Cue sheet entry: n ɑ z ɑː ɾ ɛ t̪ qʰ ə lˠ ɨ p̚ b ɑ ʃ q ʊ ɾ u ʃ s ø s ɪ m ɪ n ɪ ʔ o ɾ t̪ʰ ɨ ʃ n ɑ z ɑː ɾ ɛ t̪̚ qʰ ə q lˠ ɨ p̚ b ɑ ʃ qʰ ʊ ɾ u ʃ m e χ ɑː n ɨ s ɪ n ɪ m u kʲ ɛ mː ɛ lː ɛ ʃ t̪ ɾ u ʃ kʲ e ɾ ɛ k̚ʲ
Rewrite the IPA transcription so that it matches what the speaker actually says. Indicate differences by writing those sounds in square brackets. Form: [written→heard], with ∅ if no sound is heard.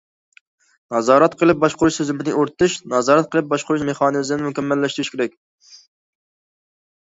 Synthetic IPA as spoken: n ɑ z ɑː ɾ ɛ t̪ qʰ ə lˠ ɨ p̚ b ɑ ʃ q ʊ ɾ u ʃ s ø [s→z] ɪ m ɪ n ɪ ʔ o ɾ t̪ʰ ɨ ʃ n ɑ z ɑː ɾ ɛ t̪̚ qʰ ə [q→∅] lˠ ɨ p̚ b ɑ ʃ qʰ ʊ ɾ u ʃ m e χ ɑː n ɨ [s→z] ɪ n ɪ m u kʲ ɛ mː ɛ lː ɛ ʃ t̪ ɾ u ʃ kʲ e ɾ ɛ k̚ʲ